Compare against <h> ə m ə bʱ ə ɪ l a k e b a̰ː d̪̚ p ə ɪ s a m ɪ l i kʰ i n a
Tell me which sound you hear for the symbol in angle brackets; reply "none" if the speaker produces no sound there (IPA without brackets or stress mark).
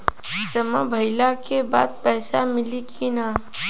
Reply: s